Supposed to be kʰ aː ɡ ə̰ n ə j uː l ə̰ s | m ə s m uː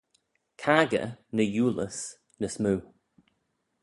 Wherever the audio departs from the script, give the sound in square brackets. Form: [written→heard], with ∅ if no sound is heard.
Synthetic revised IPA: kʰ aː ɡ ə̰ n ə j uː l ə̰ s | [m→n] ə s m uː